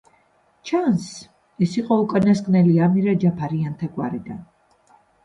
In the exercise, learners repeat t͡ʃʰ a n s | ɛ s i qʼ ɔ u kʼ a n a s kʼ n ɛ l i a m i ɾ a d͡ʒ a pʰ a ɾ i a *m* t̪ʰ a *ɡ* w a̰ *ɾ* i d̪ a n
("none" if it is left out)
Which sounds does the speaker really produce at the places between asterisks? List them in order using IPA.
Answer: n, ɡ, ɾ

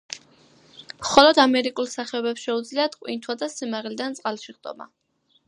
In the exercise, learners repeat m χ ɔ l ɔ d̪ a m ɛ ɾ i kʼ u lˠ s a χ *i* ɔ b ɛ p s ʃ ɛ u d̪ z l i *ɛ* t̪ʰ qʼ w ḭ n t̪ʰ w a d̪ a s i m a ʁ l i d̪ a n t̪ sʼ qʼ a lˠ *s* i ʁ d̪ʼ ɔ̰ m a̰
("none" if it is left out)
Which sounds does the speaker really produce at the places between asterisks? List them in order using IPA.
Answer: ɛ, a, ʃ

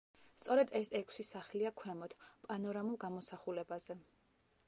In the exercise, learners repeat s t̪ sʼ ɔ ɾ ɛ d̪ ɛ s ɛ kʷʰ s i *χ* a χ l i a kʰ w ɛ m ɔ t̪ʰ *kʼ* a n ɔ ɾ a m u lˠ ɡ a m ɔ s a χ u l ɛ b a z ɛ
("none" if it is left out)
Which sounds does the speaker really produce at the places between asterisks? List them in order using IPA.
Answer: s, pʼ

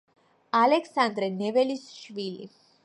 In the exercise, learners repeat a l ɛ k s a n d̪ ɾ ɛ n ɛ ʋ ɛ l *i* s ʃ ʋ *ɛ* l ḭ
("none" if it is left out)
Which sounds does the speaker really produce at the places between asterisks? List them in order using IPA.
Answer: i, i

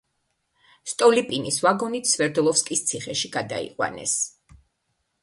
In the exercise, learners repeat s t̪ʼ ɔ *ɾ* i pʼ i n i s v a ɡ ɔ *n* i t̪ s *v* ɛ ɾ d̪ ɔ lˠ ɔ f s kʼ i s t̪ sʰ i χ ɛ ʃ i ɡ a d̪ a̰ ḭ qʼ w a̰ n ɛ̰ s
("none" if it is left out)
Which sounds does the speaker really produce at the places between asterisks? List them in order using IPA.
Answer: l, n, v

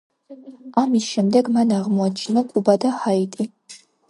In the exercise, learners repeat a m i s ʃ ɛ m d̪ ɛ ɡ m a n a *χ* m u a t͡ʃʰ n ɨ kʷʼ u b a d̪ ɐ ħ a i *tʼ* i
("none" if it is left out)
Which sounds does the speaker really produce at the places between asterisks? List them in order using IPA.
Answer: ʁ, tʼ

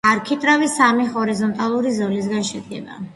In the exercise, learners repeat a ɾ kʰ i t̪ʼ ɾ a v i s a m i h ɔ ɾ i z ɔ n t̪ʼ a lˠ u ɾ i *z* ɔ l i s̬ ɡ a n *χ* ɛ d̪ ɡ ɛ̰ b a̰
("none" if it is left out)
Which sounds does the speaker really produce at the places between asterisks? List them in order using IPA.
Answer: z, ʃ

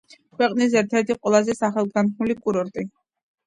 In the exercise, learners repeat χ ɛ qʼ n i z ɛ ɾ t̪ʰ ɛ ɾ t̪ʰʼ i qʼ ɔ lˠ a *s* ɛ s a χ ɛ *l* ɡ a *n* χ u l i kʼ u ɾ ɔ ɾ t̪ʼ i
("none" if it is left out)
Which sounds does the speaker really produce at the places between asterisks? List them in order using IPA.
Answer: z, l, n

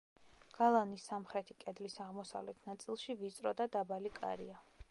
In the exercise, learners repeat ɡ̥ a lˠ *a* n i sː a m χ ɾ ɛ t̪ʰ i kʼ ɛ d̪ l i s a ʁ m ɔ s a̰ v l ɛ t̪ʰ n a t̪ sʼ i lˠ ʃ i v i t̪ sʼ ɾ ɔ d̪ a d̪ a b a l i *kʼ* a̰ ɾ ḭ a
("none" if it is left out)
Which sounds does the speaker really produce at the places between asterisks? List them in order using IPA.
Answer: a, kʼ

